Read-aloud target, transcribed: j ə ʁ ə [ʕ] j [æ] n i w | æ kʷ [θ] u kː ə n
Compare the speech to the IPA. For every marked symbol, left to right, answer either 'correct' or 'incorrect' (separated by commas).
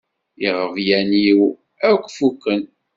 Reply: incorrect, correct, incorrect